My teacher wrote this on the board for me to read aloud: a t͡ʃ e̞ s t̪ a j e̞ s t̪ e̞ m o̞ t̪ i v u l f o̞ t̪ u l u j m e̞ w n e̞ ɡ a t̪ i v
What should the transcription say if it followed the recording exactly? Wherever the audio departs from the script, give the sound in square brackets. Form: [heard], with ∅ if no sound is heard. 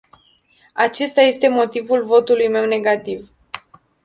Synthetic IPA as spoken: a t͡ʃ e̞ s t̪ a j e̞ s t̪ e̞ m o̞ t̪ i v u l [v] o̞ t̪ u l u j m e̞ w n e̞ ɡ a t̪ i v